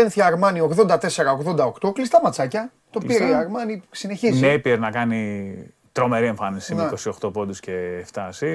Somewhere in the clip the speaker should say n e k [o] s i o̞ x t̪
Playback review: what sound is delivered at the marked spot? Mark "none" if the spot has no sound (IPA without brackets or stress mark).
o